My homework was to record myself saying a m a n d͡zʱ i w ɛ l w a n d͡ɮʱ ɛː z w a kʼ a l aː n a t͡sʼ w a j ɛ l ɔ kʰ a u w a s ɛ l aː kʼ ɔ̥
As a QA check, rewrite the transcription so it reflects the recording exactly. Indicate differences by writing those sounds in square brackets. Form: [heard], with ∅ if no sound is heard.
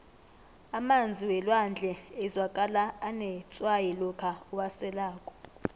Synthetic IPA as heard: a m a n d͡zʱ i w ɛ l w a n d͡ɮʱ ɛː z w a kʼ a l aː n [ɛ] t͡sʼ w a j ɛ l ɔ kʰ a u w a s ɛ l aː kʼ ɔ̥